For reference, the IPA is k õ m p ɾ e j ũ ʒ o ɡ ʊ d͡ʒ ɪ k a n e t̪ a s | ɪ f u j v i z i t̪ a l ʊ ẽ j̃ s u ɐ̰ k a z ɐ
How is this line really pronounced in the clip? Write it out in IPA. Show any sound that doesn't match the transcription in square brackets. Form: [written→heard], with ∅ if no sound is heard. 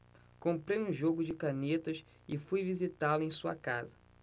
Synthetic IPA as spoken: k õ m p ɾ e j ũ ʒ o ɡ ʊ d͡ʒ ɪ k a n e t̪ [a→ɐ] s | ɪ f u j v i z i t̪ a l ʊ ẽ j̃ s u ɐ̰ k a z ɐ

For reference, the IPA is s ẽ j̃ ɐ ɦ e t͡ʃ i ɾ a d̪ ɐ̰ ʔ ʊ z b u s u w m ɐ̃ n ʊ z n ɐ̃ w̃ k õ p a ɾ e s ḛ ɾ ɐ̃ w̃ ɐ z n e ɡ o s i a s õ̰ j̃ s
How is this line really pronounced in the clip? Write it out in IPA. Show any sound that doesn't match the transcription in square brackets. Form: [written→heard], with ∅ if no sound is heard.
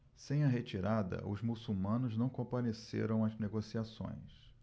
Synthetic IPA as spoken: s ẽ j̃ ɐ ɦ e t͡ʃ i ɾ a d̪ ɐ̰ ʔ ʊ z [b→m] u s u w m ɐ̃ n ʊ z n ɐ̃ w̃ k õ p a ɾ e s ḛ ɾ ɐ̃ w̃ ɐ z n e ɡ o s i a s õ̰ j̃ s

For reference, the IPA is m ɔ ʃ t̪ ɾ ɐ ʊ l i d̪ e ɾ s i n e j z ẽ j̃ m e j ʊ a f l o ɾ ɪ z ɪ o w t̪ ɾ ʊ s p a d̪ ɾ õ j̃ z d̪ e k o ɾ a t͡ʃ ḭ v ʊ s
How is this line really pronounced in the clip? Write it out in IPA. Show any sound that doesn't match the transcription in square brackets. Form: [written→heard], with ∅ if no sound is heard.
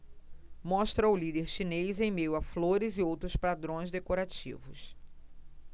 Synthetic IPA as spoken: m ɔ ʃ t̪ ɾ ɐ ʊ l i d̪ e ɾ [s→ʃ] i n e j z ẽ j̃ m e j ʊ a f l o ɾ ɪ z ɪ o w t̪ ɾ ʊ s p a d̪ ɾ õ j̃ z d̪ e k o ɾ a t͡ʃ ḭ v ʊ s

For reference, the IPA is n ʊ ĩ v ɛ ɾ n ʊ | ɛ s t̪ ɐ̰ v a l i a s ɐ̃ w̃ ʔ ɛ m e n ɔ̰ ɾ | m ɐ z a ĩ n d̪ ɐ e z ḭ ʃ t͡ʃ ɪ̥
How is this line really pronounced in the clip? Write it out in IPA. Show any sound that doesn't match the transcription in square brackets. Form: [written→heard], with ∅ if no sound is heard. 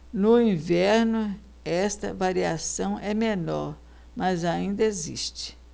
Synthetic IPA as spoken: n ʊ ĩ v ɛ ɾ n ʊ | ɛ s t̪ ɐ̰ v a [l→ɾ] i a s ɐ̃ w̃ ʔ ɛ m e n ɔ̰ ɾ | m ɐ z a ĩ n d̪ ɐ e z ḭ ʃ t͡ʃ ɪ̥

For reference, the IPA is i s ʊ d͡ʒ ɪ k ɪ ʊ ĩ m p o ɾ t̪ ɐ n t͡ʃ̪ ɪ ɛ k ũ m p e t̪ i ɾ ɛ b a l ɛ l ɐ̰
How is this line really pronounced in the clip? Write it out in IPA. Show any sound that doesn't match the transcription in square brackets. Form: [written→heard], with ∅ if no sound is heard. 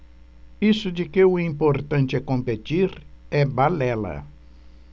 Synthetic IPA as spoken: i s ʊ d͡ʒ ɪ k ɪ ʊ ĩ m p o ɾ t̪ [ɐ→ɐ̃] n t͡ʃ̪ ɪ ɛ k [ũ→õ] m p e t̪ i ɾ ɛ b a l ɛ l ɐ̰

